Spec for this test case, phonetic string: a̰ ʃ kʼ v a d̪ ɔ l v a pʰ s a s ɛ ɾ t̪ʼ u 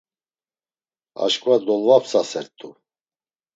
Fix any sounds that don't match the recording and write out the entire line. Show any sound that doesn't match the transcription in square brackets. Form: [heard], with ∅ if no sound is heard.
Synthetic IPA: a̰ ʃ kʼ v a d̪ ɔ l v a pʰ s a s ɛ ɾ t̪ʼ u